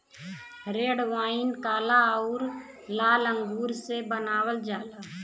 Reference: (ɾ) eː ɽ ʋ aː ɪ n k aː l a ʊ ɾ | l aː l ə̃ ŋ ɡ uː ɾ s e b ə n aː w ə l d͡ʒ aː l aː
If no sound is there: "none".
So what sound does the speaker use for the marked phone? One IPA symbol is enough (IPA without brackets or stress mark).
ɾ